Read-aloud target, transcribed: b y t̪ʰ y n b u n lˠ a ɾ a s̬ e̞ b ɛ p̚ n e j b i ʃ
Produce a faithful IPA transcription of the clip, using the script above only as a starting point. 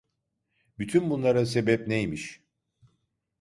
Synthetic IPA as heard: b y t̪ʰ y n b u n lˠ a ɾ a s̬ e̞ b ɛ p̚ n e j m i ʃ